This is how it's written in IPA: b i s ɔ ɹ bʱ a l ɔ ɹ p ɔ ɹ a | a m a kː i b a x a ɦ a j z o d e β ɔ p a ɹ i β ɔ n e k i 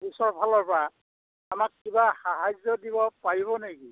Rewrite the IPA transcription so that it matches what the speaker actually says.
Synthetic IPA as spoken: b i s ɔ ɹ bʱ a l ɔ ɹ p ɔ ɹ a | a m a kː i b a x a ɦ a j z ɔ d i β ɔ p a ɹ i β ɔ n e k i